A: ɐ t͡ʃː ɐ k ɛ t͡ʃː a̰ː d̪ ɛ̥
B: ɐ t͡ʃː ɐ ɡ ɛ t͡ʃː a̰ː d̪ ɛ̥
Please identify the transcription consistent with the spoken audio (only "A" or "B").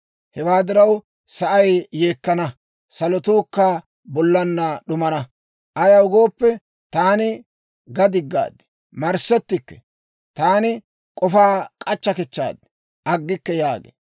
A